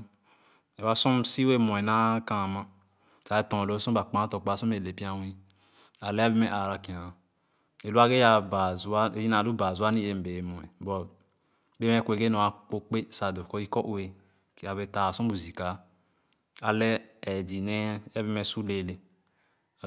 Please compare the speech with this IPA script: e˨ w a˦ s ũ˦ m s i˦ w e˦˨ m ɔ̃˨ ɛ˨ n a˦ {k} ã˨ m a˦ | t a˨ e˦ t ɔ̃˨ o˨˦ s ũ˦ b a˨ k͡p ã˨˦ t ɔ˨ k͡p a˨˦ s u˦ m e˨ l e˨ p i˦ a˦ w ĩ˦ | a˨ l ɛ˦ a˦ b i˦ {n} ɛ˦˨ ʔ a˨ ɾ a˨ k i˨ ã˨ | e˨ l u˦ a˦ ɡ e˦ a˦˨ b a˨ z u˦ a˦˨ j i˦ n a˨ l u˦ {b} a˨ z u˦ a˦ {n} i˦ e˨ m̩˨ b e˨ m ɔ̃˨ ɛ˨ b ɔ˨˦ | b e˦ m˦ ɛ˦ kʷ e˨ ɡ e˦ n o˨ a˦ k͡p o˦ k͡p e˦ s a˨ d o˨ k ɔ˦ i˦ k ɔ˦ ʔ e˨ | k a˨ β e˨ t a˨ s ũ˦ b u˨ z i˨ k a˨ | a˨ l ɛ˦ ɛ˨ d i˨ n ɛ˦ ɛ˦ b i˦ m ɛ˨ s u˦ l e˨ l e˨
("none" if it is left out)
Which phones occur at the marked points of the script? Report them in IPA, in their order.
k, m, b, n

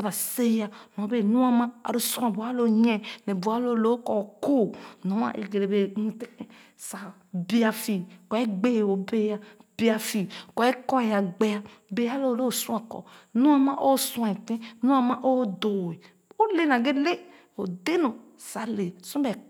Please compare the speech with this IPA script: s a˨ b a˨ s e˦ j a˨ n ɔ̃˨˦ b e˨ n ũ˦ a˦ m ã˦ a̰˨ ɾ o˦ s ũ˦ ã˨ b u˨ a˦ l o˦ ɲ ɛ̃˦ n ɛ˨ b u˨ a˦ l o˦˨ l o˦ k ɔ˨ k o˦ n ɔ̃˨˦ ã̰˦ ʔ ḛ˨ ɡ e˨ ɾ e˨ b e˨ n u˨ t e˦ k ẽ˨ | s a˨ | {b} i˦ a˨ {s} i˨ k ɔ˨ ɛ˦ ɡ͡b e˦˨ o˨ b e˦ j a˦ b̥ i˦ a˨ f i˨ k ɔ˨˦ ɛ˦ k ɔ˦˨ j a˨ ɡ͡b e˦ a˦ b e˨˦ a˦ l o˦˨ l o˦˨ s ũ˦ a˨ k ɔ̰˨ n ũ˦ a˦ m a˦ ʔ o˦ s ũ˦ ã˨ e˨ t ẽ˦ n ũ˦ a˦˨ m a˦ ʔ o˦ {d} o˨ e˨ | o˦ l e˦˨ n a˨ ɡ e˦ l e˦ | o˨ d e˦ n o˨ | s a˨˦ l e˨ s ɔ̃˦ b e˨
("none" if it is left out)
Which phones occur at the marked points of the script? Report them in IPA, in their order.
b, f, d

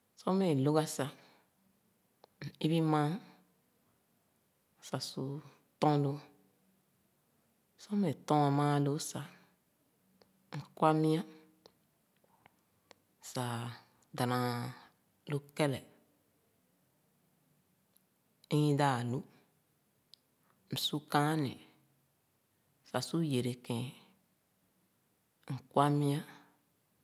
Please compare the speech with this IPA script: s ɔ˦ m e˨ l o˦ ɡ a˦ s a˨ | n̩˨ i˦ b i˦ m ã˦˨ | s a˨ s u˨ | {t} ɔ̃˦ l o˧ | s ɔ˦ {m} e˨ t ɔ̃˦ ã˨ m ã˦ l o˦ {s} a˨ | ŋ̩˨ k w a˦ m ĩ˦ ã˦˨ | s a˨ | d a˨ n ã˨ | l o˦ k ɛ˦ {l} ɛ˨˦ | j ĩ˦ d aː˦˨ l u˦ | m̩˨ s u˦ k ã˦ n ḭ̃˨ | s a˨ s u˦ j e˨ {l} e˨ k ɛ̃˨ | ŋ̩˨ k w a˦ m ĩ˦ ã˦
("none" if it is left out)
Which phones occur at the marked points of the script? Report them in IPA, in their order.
t, m, s, l, ɾ

